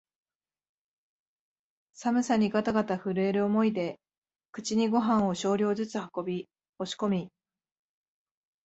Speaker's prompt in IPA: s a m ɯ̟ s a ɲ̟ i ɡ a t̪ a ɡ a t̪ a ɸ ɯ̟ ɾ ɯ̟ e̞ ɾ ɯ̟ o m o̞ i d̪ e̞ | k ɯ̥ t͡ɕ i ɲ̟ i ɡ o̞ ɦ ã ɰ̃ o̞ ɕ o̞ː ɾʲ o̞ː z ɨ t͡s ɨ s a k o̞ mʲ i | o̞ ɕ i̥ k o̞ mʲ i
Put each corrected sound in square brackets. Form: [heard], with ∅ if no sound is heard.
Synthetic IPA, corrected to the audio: s a m ɯ̟ s a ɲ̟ i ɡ a t̪ a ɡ a t̪ a ɸ ɯ̟ ɾ ɯ̟ e̞ ɾ ɯ̟ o m o̞ i d̪ e̞ | k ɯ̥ t͡ɕ i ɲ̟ i ɡ o̞ ɦ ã ɰ̃ o̞ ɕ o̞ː ɾʲ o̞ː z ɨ t͡s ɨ [h] a k o̞ [bʲ] i | o̞ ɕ i̥ k o̞ mʲ i